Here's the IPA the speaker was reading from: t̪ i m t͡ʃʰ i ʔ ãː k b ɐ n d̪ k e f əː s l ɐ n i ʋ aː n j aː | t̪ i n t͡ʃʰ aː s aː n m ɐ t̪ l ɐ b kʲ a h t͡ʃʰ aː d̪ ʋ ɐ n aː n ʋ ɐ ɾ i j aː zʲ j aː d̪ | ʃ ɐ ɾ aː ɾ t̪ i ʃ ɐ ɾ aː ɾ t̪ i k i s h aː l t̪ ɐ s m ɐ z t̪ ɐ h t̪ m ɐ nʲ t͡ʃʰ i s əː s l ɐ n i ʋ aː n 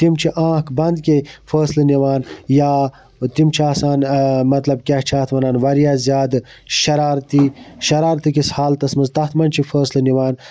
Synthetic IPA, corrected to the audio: t̪ i m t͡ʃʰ i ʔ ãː k b ɐ n d̪ k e f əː s l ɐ n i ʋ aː n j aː | t̪ i m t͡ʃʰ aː s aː n m ɐ t̪ l ɐ b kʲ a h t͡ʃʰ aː t̪ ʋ ɐ n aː n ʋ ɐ ɾ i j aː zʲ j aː d̪ | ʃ ɐ ɾ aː ɾ t̪ i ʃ ɐ ɾ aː ɾ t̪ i k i s h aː l t̪ ɐ s m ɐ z t̪ ɐ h t̪ m ɐ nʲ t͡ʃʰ i f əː s l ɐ n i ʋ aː n